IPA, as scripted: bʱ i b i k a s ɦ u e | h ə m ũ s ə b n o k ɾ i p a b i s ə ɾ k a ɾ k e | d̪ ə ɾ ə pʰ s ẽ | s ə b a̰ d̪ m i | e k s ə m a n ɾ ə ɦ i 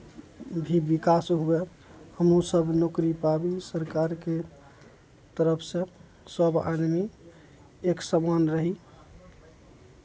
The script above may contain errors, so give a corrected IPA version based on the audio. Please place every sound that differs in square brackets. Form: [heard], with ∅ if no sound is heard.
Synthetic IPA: bʱ i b i k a s ɦ u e | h ə m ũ s ə b n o k ɾ i p a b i s ə ɾ k a ɾ k e | [t̪] ə ɾ ə pʰ s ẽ | s ə b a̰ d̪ m i | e k s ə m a n ɾ ə ɦ i